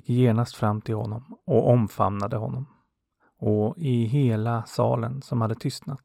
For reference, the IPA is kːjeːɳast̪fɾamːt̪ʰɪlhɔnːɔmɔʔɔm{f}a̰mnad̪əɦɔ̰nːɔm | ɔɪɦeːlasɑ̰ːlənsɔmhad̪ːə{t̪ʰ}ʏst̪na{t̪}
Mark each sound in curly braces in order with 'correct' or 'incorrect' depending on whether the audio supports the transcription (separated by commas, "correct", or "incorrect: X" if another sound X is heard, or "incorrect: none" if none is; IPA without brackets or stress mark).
correct, correct, correct